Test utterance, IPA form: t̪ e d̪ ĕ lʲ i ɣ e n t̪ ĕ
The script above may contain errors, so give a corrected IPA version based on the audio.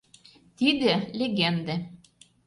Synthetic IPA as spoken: t̪ i d̪ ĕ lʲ e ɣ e n d̪ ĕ

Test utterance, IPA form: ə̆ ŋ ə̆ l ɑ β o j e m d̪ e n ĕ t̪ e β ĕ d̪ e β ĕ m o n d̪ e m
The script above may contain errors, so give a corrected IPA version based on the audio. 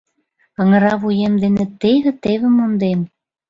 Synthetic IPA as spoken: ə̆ ŋ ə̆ ɾ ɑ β u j e m d̪ e n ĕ t̪ e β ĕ t̪ e β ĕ m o n d̪ e m

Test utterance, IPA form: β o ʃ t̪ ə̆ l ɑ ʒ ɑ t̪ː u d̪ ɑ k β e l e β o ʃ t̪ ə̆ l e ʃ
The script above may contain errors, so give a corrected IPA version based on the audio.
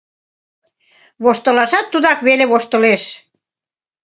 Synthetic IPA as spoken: β o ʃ t̪ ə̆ l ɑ ʃ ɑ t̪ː u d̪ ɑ k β e l e β o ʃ t̪ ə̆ l e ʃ

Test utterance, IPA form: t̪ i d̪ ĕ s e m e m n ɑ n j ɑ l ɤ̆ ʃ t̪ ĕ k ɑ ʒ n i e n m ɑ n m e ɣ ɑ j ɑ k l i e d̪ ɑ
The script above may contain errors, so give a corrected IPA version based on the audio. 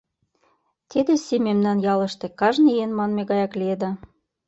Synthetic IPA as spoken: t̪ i d̪ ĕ s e m e m n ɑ n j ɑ l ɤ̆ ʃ t̪ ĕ k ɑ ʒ n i e n m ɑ n m e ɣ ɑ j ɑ k l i e d̪ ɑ

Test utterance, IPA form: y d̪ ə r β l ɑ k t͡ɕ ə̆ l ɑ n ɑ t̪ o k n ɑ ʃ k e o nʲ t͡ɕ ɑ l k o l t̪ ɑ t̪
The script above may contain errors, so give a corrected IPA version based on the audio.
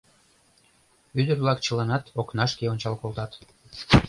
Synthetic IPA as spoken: y d̪ ə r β l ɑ k t͡ɕ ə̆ l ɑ n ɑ t̪ o k n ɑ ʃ k e o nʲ t͡ɕ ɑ l k o l t̪ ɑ t̪

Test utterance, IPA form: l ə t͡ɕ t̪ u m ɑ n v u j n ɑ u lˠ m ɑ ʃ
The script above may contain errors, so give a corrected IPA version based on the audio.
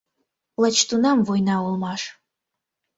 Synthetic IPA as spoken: l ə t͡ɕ t̪ u n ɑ m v o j n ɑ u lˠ m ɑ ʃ

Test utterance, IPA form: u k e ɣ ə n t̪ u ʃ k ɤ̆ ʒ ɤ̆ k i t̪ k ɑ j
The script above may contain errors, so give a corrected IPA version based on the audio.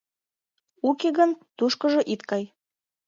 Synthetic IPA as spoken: u k e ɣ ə n t̪ u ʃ k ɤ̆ ʒ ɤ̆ ʔ i t̪ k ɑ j

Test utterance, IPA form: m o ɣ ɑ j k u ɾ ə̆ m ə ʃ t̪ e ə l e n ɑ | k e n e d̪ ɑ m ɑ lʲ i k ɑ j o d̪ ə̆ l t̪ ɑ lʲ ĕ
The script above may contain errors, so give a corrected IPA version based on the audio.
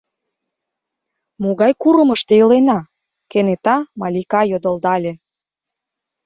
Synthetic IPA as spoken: m o ɣ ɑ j k u ɾ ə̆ m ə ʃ t̪ e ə l e n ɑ | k e n e t̪ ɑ m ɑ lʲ i k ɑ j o d̪ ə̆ l d̪ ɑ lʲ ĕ

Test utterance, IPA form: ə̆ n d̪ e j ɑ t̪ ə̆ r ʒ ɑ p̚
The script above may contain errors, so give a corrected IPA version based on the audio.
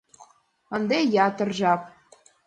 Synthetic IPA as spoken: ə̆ n d̪ e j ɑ t̪ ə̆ r ʒ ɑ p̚

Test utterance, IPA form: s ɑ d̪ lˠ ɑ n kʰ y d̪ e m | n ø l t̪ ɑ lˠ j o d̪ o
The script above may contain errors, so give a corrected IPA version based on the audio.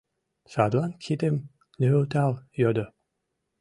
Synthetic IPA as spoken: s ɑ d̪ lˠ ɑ n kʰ i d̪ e m | n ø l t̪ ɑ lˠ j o d̪ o

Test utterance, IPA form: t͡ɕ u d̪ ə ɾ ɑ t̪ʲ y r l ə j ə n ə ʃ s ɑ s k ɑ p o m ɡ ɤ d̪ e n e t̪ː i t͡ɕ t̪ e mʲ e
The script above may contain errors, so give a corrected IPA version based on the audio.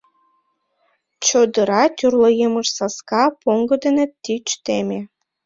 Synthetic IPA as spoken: t͡ɕ o d̪ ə ɾ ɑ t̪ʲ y r l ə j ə m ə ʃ s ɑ s k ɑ p o ŋ ɡ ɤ d̪ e n e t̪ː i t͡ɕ t̪ e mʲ e

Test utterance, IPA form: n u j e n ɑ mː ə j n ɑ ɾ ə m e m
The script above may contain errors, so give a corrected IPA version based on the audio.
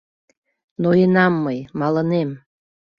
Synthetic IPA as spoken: n o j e n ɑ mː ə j m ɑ l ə n e m

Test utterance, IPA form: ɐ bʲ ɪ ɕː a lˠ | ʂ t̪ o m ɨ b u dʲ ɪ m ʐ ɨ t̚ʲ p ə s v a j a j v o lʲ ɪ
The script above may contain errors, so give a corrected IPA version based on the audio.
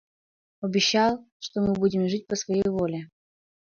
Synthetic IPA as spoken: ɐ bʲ ɪ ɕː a lˠ | ʂ t̪ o m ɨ b u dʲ ɪ m ʐ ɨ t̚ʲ p ə s v ɐ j e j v o lʲ ɪ

